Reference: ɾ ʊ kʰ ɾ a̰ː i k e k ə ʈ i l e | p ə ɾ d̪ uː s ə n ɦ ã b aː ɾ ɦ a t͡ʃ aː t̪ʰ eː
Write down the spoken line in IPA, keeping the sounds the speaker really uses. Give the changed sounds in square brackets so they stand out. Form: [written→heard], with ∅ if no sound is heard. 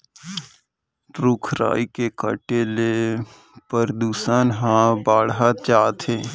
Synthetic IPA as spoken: ɾ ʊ kʰ ɾ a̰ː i k e k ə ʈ [i→e] l e | p ə ɾ d̪ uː s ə n ɦ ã b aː [ɾ→ɽ] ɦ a t͡ʃ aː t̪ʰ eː